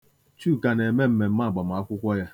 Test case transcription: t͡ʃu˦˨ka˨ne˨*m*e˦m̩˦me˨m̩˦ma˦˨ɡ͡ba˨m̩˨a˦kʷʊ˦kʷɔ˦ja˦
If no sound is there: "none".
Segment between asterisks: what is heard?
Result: m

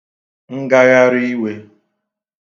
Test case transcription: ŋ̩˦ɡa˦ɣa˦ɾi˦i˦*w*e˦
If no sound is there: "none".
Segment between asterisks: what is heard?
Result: w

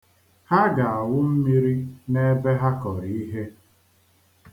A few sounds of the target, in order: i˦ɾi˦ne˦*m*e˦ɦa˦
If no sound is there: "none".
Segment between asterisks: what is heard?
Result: b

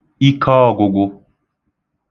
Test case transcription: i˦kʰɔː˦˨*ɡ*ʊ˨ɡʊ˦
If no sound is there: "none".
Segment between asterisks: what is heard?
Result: ɡ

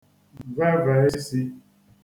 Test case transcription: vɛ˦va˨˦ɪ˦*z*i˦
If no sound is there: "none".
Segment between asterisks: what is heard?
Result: s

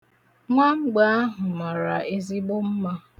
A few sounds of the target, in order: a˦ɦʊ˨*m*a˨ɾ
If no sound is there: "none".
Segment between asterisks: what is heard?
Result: m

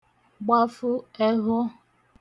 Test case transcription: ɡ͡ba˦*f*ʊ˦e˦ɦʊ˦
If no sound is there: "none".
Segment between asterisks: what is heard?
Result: f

